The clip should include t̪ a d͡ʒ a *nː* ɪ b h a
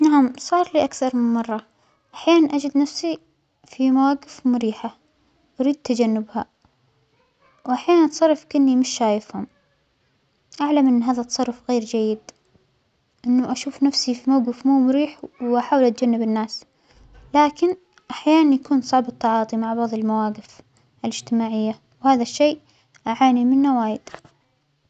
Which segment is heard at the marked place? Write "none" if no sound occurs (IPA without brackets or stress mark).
nː